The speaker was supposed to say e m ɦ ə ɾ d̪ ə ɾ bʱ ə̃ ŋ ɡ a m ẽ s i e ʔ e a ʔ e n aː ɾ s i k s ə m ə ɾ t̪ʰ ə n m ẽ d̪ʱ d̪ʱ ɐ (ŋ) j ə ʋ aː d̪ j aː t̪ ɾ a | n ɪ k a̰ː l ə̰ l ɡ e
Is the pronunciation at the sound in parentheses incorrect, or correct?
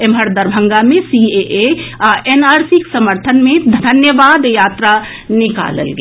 incorrect